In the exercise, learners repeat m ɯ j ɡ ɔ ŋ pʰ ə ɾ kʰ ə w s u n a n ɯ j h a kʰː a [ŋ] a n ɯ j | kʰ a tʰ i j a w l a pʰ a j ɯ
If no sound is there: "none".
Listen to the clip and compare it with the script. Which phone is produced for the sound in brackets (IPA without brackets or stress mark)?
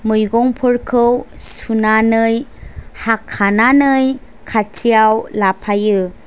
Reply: n